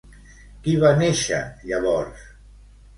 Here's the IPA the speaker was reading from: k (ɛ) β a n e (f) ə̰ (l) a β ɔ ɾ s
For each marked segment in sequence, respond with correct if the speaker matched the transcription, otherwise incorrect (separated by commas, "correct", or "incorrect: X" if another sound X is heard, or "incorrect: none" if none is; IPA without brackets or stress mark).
incorrect: i, incorrect: ʃ, incorrect: ʎ